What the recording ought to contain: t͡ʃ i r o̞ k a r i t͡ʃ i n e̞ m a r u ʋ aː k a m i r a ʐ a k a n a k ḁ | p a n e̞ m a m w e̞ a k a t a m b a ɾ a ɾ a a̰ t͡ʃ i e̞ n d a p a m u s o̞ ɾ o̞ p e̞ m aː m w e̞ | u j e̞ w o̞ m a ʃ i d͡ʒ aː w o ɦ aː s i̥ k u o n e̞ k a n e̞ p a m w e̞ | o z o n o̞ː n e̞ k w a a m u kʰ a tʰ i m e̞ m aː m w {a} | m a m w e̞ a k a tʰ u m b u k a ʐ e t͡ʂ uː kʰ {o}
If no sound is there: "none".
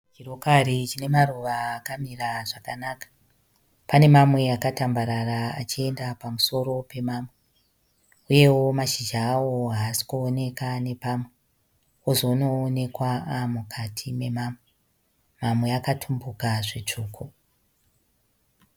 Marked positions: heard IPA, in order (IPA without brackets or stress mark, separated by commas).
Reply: e, o